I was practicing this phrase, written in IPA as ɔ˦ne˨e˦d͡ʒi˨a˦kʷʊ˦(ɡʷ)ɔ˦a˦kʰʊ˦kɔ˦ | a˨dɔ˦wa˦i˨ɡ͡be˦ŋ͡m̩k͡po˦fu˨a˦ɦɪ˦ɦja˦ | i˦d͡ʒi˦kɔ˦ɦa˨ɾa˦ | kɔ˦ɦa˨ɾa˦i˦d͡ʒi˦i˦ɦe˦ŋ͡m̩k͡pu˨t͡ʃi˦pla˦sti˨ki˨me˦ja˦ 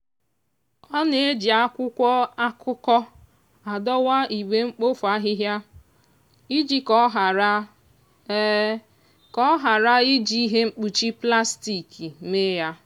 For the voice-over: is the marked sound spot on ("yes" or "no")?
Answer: no